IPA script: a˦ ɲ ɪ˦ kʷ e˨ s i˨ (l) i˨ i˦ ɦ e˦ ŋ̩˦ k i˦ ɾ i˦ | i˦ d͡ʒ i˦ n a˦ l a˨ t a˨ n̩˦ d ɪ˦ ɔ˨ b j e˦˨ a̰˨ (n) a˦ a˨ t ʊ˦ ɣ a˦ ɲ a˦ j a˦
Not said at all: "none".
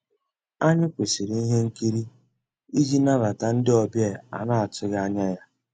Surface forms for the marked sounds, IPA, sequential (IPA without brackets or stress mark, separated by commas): ɾ, n